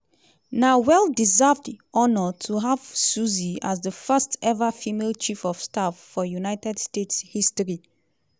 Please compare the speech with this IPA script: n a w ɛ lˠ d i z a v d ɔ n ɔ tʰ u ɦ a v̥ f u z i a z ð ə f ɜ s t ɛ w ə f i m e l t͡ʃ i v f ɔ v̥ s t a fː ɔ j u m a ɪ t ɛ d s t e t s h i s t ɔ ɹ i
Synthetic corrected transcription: n a w ɛ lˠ d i z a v d ɔ n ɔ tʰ u ɦ a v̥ s u z i a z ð ə f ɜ s t ɛ v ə f i m e l t͡ʃ i f ɔ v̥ s t a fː ɔ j u n a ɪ t ɛ d s t e t s h i s t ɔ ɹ i